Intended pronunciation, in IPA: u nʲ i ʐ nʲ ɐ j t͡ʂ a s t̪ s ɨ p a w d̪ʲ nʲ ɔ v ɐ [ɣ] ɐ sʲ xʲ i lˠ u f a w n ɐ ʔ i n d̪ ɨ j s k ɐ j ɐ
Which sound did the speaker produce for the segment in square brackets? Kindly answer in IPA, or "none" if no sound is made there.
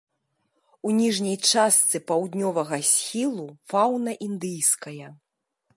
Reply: ɣ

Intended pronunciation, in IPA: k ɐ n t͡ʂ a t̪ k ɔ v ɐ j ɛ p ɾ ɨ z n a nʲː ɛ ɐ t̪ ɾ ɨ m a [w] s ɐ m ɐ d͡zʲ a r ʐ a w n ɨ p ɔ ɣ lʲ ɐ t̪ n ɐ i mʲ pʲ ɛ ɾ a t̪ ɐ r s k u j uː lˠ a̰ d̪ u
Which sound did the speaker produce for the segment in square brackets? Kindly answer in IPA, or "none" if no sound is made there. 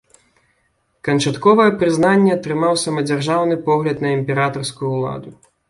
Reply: w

